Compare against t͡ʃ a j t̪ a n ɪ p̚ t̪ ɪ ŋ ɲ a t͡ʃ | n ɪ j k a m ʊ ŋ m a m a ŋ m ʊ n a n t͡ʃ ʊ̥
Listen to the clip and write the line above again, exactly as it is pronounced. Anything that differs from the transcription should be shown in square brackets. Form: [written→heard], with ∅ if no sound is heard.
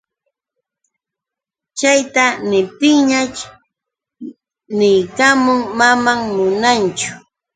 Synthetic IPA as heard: t͡ʃ a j t̪ a n ɪ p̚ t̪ ɪ ŋ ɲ a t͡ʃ | n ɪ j k a m ʊ ŋ m a m a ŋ m ʊ n a n t͡ʃ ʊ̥